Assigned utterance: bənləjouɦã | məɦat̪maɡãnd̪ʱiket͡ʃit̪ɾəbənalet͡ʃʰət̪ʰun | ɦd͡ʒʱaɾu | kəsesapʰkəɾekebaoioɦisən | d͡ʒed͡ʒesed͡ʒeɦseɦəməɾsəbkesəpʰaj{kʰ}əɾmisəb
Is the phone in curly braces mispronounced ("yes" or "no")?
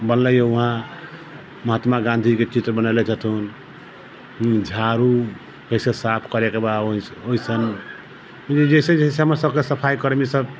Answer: yes